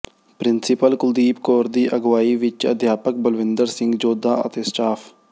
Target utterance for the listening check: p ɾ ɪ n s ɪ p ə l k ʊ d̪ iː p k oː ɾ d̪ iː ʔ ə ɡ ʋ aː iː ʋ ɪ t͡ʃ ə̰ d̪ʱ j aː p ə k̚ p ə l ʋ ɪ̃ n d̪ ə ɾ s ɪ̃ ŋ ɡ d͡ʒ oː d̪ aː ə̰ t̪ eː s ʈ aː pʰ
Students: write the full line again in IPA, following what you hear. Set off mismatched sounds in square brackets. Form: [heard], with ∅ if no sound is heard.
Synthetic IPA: p ɾ ɪ n s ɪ p ə l k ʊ d̪ iː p k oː ɾ d̪ iː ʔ ə ɡ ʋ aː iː ʋ ɪ t͡ʃ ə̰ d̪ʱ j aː p ə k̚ [b] ə l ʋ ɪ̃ n d̪ ə ɾ s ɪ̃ ŋ ɡ d͡ʒ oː d̪ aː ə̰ t̪ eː s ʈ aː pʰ